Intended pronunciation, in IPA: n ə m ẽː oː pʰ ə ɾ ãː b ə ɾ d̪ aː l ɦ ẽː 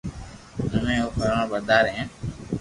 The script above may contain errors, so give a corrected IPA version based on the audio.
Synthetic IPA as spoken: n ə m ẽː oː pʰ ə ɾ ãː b ə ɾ d̪ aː ɾ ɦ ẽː